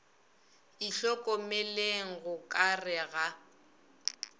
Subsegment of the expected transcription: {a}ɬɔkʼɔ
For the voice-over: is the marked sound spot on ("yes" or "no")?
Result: no